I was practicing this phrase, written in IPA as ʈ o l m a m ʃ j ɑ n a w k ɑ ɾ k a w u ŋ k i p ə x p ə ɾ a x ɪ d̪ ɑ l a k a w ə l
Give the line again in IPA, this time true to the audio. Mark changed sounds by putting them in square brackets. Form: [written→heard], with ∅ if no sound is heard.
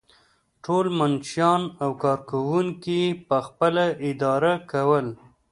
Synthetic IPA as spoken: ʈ o l m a [m→n] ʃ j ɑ n a w k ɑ ɾ k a w u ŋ k i p ə x p ə [ɾ→l] a [x→∅] ɪ d̪ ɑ [l→ɾ] a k a w ə l